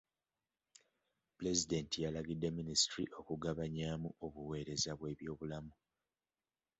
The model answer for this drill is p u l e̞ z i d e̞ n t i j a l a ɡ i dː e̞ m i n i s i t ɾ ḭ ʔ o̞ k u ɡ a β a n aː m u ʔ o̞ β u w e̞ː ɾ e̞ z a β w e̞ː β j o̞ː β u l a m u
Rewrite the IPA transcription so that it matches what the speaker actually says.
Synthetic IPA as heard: p u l e̞ z i d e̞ n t i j a l a ɡ i dː e̞ m i n i s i t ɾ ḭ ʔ o̞ k u ɡ a β a ɲ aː m u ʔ o̞ β u w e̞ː ɾ e̞ z a β w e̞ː β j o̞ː β u l a m u